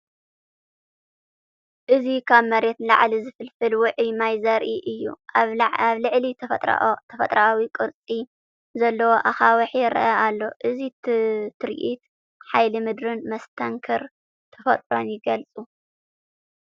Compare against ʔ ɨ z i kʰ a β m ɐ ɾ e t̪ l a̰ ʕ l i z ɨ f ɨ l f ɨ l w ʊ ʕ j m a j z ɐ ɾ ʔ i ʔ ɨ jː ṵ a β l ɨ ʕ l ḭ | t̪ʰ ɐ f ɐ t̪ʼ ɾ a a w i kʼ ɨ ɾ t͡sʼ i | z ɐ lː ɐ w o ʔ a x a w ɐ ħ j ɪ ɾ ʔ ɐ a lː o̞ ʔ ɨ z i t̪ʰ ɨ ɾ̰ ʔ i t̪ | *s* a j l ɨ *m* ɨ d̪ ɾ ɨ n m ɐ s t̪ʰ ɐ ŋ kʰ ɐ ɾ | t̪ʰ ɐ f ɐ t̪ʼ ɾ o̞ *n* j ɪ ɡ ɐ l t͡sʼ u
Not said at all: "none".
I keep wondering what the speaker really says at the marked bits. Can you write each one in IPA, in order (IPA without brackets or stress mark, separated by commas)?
ħ, m, n